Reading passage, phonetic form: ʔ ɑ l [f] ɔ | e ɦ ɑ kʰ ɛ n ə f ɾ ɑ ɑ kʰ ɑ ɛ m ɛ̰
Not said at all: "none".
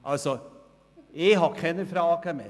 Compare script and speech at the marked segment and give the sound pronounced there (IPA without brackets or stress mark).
s